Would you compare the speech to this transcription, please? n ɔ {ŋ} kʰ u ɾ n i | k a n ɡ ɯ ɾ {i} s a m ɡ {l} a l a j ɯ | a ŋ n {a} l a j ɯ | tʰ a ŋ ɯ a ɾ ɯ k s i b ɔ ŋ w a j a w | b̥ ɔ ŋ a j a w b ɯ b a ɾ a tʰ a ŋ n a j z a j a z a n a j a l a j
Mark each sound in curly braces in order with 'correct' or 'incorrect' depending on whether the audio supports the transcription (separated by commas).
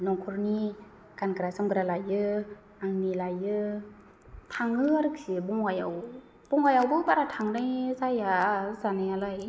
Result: correct, incorrect, incorrect, incorrect